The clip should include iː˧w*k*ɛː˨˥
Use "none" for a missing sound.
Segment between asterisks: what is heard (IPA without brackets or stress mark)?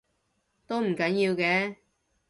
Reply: k